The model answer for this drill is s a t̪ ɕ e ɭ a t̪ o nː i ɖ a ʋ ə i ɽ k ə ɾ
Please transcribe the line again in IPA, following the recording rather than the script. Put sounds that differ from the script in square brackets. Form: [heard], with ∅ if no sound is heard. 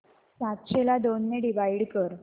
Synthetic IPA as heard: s a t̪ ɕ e [l] a [d̪] o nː [e] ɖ [i] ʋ [a] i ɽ k ə ɾ

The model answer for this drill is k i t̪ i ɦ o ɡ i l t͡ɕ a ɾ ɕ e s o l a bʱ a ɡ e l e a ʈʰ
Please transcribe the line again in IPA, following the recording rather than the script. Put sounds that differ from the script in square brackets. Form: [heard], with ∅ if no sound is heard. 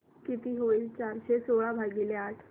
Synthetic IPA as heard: k i t̪ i ɦ o [∅] i l t͡ɕ a ɾ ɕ e s o [ɭ] a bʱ a ɡ [i] l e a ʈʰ

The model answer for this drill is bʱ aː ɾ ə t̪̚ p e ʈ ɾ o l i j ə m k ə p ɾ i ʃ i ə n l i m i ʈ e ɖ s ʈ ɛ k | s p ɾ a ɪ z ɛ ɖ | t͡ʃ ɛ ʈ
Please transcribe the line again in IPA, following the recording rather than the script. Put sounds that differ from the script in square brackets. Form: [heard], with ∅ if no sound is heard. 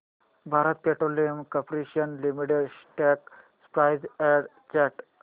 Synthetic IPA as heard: bʱ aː ɾ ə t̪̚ p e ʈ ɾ o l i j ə m k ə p ɾ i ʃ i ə n l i m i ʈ e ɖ s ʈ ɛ k | s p ɾ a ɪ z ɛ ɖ | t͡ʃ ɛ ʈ

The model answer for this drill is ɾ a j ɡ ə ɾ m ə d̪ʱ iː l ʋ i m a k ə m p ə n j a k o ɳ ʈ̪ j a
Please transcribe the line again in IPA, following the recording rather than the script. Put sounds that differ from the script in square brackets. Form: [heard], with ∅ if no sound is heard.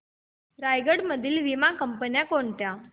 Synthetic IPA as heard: ɾ a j ɡ ə [ɽ] m ə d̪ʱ iː l ʋ i m a k ə m p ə n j a k o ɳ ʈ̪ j a

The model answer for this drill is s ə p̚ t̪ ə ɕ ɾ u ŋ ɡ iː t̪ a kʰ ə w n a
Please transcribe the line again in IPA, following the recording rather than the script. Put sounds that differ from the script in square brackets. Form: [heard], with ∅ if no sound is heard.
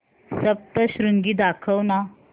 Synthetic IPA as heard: s ə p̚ t̪ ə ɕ ɾ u ŋ ɡ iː [d̪] a kʰ ə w n a

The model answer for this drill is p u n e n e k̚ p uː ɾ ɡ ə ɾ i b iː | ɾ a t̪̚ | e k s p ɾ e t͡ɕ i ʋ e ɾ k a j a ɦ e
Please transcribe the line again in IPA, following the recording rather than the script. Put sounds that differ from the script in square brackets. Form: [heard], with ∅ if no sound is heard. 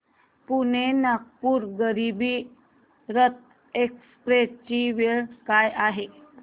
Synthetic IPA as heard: p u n e n [a] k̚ p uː ɾ ɡ ə ɾ i b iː | ɾ [ə] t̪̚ | e k s p ɾ e t͡ɕ i ʋ e [ɭ] k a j a ɦ e

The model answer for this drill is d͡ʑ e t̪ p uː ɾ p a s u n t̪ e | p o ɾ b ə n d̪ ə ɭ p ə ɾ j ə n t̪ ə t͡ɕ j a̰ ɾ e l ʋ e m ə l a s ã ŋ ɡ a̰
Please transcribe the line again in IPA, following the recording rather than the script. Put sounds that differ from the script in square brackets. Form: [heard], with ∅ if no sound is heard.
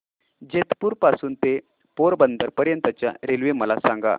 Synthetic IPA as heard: d͡ʑ e t̪ p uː ɾ p a s [uː] n t̪ e | p o ɾ b ə n d̪ ə [ɾ] p ə ɾ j ə n t̪ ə t͡ɕ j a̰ ɾ e l ʋ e m ə l a s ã ŋ ɡ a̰

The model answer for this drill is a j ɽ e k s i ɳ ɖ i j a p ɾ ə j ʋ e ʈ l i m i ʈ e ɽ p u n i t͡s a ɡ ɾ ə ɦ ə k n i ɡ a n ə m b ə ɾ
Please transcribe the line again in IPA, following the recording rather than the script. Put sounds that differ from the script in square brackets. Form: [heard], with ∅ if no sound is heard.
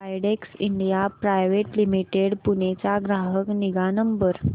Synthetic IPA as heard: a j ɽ e k s i ɳ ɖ i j a p ɾ [a] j ʋ e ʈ l i m i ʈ e ɽ p u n [e] t͡s a ɡ ɾ [a] ɦ ə k n i ɡ a n ə m b ə ɾ

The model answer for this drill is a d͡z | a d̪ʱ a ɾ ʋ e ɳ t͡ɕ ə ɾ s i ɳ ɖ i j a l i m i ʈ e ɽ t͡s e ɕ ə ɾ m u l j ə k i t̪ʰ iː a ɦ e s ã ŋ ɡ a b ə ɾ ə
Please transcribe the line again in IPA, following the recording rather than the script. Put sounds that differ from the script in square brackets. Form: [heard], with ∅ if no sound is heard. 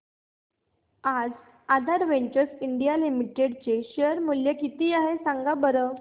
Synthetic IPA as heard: a d͡z | a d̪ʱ a ɾ ʋ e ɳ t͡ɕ ə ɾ s i ɳ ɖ i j a l i m i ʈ e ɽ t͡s e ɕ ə ɾ m u l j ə k i [t̪] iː a ɦ e s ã ŋ ɡ a b ə ɾ ə

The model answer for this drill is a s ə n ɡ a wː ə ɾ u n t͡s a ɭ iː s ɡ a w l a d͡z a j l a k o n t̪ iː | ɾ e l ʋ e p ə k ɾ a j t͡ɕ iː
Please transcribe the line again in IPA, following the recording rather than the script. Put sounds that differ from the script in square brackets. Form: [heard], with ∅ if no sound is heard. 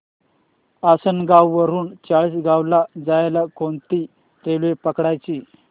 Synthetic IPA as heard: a s ə n ɡ a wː ə ɾ [uː] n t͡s a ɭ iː s ɡ a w l a d͡z a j l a k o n t̪ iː | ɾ e l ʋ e p ə k [ɽ] a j t͡ɕ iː

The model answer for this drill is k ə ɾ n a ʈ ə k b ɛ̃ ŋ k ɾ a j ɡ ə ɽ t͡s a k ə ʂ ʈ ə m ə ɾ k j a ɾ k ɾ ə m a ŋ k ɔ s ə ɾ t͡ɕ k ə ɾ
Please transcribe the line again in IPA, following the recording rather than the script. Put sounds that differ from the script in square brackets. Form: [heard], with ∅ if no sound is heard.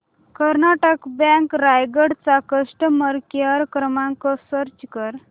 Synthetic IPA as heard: k ə ɾ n a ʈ ə k b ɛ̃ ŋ k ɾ a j ɡ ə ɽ t͡s a k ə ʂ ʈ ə m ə ɾ k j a ɾ k ɾ ə m a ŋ k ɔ s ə ɾ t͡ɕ k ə ɾ

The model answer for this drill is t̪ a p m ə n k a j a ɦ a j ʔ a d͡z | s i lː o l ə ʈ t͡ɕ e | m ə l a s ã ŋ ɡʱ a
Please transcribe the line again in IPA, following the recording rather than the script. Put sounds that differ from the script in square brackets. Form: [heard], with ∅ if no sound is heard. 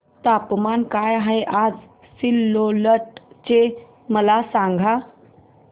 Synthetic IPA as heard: t̪ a p m [a] n k a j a ɦ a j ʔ a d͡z | s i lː o l ə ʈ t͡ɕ e | m ə l a s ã ŋ ɡʱ a

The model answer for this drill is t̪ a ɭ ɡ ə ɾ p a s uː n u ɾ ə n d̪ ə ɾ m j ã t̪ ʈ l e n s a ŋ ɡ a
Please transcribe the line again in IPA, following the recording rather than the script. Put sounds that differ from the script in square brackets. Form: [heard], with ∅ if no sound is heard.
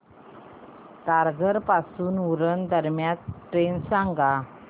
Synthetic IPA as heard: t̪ a [ɾ] ɡ ə ɾ p a s uː n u ɾ ə n d̪ ə ɾ m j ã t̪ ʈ [ɾ] e n s a ŋ ɡ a

